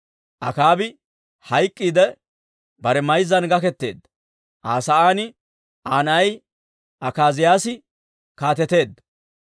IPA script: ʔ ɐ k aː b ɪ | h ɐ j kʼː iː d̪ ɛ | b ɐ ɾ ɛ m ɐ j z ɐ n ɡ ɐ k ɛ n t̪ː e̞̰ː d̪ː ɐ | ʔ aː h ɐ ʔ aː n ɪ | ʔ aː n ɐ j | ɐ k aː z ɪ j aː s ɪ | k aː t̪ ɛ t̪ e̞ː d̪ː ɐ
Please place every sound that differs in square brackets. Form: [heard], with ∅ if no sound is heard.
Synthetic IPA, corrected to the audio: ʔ ɐ k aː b ɪ | h ɐ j kʼː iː d̪ ɛ | b ɐ ɾ ɛ m ɐ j z ɐ n ɡ ɐ k ɛ [∅] t̪ː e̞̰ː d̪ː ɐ | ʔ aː [s] ɐ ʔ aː n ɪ | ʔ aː n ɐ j | ɐ k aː z ɪ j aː s ɪ | k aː t̪ ɛ t̪ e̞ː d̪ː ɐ